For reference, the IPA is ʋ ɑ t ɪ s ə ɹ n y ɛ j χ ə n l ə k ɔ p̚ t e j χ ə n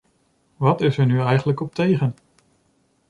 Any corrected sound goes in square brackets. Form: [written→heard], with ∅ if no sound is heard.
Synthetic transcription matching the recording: ʋ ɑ t ɪ s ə ɹ n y ɛ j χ ə n l ə k ɔ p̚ t e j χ ə n